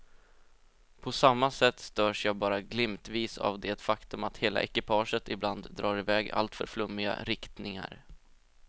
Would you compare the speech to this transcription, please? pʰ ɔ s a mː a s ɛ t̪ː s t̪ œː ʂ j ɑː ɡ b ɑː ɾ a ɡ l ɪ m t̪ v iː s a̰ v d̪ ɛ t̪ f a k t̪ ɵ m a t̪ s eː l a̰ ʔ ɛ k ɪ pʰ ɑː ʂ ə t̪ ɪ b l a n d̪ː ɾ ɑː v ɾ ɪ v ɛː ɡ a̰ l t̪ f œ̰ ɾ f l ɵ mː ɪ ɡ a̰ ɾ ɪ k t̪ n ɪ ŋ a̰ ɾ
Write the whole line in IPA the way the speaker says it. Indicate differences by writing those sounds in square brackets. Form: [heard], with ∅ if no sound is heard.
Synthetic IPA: pʰ ɔ s a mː a s ɛ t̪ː s t̪ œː ʂ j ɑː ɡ b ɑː ɾ a ɡ l ɪ m t̪ v iː s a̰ v d̪ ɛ t̪ f a k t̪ ɵ m a t̪ [h] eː l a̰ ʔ ɛ k ɪ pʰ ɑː ʂ ə t̪ ɪ b l a n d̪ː ɾ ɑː [∅] ɾ ɪ v ɛː ɡ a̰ l t̪ f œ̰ ɾ f l ɵ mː ɪ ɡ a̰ ɾ ɪ k t̪ n ɪ ŋ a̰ ɾ